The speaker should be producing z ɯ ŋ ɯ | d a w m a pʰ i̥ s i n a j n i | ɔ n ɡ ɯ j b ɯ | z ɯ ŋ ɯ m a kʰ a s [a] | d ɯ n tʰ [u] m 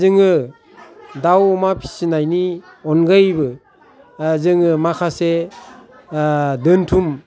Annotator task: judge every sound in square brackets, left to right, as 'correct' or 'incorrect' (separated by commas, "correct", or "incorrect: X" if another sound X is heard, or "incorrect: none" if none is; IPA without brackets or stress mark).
incorrect: e, correct